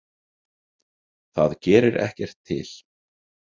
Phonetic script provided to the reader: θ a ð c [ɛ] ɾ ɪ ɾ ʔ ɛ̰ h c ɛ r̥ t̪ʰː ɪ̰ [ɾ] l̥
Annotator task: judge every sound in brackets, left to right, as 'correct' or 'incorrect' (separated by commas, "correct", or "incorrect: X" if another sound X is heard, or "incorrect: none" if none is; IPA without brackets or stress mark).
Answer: incorrect: ɛː, incorrect: none